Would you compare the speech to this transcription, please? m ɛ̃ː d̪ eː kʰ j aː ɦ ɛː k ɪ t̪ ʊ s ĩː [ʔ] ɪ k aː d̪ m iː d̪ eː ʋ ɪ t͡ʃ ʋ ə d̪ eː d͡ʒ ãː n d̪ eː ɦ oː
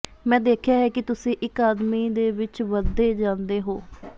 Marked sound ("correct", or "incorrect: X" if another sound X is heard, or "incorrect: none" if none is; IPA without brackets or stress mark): correct